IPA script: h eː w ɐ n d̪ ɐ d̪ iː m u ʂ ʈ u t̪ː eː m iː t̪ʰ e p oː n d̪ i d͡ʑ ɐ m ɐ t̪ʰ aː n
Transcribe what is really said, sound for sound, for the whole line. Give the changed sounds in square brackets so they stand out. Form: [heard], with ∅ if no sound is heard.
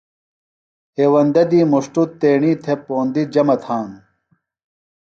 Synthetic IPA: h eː w ɐ n d̪ ɐ d̪ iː m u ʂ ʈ u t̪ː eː [ɳ] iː t̪ʰ e p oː n d̪ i d͡ʑ ɐ m ɐ t̪ʰ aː n